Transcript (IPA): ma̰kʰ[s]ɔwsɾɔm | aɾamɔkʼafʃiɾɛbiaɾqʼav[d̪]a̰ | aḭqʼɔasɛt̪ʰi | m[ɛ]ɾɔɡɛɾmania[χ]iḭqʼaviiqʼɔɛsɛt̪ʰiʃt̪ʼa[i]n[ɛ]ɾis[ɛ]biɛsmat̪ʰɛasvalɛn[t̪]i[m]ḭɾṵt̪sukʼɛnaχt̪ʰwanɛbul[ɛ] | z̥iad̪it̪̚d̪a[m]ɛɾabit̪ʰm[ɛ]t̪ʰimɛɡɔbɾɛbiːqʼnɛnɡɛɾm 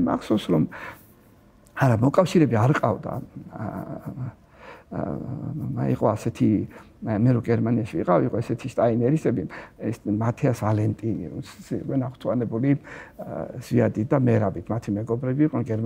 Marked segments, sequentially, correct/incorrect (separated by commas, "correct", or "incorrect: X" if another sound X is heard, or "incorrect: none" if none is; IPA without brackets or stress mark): correct, correct, correct, incorrect: ʃ, correct, correct, correct, incorrect: t̪ʼ, incorrect: n, incorrect: i, correct, incorrect: a